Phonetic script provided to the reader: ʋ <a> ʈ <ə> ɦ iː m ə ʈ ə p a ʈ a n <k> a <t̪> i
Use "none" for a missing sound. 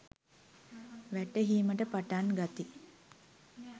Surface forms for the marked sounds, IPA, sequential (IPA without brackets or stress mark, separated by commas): æ, ə, ɡ, t̪